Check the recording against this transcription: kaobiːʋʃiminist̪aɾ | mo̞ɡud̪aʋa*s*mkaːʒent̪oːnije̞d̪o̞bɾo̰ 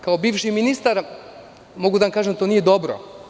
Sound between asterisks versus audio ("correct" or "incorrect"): incorrect